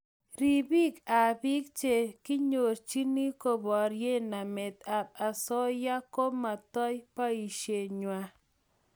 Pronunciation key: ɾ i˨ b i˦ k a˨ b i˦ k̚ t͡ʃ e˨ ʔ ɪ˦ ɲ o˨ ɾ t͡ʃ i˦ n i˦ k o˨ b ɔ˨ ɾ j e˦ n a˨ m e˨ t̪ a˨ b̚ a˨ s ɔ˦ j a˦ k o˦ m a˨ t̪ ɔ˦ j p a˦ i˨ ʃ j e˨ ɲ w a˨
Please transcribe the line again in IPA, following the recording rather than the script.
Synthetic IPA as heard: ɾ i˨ b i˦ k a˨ b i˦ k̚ t͡ʃ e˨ k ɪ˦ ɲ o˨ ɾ t͡ʃ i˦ n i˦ k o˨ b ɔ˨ ɾ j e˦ n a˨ m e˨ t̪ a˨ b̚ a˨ s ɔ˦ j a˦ k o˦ m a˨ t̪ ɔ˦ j p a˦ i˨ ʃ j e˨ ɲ w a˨